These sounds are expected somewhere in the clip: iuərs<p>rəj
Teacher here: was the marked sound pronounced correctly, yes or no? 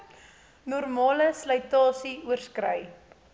no